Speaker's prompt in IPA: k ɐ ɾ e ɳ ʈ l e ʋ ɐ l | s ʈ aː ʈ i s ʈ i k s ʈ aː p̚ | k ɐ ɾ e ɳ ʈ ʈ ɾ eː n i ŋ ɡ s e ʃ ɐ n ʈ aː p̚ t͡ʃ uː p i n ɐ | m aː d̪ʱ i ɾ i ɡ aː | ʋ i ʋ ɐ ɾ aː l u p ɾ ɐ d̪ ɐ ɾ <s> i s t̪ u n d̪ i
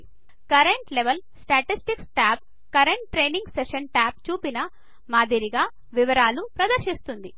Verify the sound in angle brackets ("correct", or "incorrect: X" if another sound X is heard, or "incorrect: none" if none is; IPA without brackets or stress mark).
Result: incorrect: ʃ